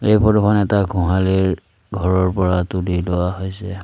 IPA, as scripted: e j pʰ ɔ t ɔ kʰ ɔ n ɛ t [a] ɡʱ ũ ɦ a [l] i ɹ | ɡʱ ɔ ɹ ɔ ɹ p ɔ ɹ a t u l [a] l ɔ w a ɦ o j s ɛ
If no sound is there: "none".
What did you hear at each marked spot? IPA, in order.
a, l, i

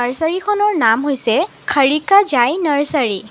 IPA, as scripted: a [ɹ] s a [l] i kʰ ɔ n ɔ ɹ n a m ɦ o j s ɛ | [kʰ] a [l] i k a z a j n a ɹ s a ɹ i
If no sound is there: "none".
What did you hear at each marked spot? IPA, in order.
ɹ, ɹ, kʰ, ɹ

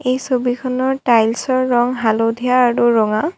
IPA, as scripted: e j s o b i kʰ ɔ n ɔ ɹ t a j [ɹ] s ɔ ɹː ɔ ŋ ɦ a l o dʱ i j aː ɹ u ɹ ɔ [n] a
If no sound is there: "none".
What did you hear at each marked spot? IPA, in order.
l, ŋ

